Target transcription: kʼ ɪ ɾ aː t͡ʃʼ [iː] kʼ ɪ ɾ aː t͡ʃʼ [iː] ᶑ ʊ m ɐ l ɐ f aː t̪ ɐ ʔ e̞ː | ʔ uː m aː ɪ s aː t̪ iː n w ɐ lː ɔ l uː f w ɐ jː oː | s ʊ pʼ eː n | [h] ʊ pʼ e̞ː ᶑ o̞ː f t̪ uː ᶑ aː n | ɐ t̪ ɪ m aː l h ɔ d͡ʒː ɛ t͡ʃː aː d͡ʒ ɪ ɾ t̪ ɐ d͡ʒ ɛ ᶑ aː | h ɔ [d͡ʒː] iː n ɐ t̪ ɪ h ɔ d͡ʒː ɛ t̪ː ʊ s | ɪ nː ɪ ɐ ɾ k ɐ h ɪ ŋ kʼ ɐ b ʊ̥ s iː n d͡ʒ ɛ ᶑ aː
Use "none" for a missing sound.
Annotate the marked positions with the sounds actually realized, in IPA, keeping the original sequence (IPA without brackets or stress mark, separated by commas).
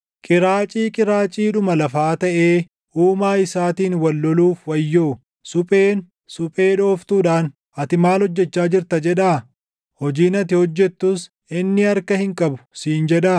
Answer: iː, iː, s, d͡ʒ